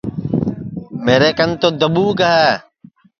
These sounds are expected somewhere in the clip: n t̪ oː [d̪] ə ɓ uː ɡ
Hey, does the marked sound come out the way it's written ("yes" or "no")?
yes